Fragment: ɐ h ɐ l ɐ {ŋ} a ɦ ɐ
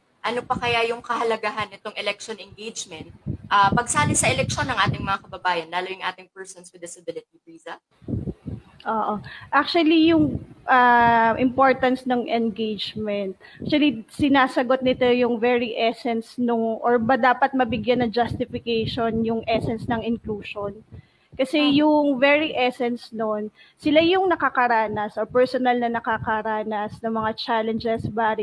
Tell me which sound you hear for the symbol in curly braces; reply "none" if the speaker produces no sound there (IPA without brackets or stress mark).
ɡ